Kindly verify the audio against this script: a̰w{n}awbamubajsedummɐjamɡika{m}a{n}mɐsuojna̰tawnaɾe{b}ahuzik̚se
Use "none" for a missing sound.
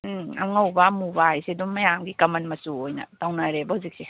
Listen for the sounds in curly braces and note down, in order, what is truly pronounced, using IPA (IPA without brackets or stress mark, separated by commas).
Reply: ŋ, m, n, b